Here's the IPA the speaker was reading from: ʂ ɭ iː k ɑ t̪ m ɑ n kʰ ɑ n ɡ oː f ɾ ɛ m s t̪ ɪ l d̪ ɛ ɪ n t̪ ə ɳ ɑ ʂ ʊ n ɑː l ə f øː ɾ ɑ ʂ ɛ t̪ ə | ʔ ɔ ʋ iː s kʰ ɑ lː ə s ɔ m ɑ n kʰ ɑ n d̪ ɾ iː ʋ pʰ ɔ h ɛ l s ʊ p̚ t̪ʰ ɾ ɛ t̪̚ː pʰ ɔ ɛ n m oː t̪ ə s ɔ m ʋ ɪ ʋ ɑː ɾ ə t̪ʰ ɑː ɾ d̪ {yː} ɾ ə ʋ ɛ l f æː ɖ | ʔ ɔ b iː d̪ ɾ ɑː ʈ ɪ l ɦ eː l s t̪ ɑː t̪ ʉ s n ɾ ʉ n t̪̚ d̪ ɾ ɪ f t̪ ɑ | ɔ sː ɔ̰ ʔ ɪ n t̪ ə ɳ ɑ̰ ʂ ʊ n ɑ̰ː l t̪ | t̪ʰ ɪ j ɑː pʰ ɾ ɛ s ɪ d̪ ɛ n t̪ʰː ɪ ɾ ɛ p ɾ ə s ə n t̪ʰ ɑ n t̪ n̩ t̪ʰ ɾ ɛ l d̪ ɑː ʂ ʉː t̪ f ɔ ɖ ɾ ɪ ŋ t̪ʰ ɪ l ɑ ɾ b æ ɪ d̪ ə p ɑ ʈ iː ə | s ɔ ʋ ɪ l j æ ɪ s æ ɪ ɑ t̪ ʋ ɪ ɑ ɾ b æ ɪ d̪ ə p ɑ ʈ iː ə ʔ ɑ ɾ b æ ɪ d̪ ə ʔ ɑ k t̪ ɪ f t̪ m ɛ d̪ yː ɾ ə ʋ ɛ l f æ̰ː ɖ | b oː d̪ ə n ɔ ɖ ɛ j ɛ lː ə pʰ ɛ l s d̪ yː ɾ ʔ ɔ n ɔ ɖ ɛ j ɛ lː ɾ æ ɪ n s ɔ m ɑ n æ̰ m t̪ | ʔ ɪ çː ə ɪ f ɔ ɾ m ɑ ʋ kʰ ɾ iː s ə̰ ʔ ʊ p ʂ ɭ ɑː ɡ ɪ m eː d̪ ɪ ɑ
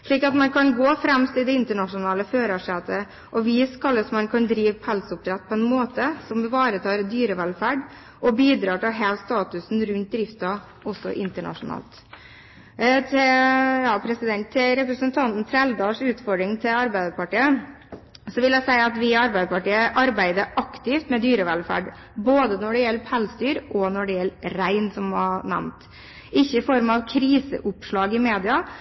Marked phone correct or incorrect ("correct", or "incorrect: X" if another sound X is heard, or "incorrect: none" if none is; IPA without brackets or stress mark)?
correct